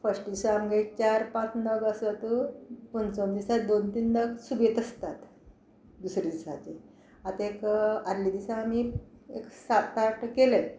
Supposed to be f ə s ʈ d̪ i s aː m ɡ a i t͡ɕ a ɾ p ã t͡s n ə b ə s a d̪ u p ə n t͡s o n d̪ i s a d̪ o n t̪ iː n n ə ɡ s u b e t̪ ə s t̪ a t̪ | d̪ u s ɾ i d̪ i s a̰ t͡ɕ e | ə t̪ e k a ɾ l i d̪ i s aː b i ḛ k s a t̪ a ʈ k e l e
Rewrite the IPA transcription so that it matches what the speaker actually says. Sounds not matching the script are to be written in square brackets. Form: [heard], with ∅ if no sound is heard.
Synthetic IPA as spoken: f ə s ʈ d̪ i s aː m ɡ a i t͡ɕ a ɾ p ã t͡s n ə [ɡ] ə s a [t̪] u p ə n t͡s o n d̪ i s a d̪ o n t̪ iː n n ə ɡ s u b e t̪ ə s t̪ a t̪ | d̪ u s ɾ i d̪ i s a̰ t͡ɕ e | [a] t̪ e k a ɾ l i d̪ i s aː [m] i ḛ k s a t̪ a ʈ k e l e